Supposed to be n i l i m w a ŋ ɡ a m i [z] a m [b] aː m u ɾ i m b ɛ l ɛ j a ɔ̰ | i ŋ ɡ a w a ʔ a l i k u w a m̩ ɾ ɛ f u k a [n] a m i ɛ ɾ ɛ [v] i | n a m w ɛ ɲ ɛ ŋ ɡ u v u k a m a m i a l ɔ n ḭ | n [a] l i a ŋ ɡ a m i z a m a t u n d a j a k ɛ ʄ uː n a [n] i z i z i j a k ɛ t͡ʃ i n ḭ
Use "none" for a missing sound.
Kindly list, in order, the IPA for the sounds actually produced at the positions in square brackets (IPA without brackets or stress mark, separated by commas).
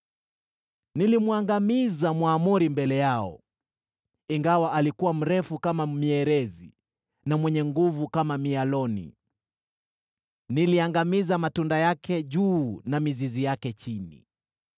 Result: z, w, m, z, i, m